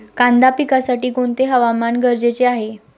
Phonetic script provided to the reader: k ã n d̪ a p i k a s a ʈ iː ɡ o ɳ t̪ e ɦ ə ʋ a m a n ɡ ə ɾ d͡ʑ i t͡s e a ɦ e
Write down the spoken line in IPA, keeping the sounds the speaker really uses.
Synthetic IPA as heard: k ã n d̪ a p i k a s a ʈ iː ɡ o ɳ t̪ e ɦ ə ʋ a m a n ɡ ə ɾ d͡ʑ e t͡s e a ɦ e